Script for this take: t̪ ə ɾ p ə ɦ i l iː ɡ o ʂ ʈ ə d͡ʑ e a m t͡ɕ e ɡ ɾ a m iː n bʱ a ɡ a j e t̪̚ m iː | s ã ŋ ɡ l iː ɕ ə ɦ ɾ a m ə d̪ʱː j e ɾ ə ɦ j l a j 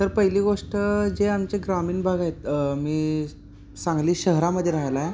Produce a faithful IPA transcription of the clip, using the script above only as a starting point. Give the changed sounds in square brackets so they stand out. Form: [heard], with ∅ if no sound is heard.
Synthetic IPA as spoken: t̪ ə ɾ p ə ɦ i l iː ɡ o ʂ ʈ ə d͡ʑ e a m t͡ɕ e ɡ ɾ a m iː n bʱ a ɡ a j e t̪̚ m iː | s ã ŋ ɡ l iː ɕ ə ɦ ɾ a m ə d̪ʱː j e ɾ [a] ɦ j l a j